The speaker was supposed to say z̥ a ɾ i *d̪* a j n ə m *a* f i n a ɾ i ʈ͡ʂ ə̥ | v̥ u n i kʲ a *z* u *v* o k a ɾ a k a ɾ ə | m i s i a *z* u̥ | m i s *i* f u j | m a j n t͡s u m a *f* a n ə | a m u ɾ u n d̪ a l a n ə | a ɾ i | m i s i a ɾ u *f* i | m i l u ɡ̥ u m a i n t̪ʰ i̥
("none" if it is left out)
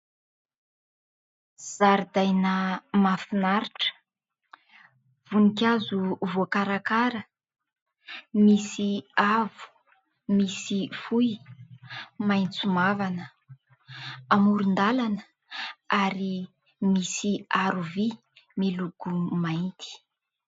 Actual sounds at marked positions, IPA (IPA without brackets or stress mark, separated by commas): d̪, a, z, v, v, i, v, v